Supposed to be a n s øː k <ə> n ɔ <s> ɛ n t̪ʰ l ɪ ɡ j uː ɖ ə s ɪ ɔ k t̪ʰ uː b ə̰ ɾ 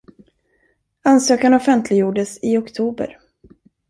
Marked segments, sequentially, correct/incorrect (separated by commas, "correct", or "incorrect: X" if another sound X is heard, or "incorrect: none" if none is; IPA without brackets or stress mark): incorrect: a, incorrect: f